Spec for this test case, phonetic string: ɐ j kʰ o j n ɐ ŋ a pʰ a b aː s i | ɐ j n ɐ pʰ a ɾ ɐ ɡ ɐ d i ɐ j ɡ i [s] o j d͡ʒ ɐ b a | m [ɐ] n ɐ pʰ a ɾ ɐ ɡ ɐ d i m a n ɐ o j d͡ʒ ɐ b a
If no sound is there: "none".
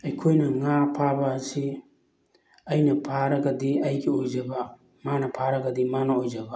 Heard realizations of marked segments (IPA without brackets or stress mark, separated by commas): none, a